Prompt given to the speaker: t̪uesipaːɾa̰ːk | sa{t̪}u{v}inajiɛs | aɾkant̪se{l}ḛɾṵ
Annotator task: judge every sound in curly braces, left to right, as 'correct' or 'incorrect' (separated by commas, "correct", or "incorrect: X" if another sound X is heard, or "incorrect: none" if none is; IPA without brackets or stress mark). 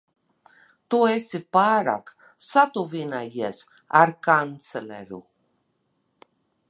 correct, correct, correct